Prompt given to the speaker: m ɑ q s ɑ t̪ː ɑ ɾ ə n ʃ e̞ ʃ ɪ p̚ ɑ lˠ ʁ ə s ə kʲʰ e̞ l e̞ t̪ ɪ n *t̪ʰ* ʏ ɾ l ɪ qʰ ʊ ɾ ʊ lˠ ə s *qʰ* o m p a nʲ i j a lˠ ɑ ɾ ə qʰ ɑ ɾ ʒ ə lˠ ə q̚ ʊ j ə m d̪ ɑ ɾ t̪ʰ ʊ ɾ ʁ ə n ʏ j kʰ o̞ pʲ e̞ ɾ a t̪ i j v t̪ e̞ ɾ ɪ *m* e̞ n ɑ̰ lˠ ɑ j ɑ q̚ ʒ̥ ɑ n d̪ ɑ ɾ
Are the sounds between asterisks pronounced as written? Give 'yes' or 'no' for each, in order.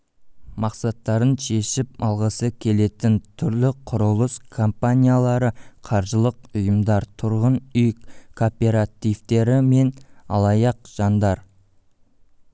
yes, no, yes

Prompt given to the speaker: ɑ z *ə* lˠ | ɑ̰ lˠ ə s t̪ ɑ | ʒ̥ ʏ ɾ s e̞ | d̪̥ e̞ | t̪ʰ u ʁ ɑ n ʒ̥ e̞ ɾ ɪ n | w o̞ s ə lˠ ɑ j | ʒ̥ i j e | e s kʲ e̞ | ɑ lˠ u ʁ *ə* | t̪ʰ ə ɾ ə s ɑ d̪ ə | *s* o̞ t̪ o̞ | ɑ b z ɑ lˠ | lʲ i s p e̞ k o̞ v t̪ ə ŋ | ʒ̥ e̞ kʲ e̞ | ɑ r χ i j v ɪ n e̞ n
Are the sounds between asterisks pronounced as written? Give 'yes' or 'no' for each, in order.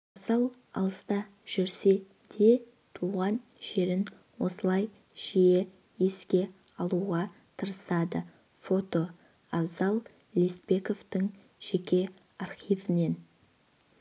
no, no, no

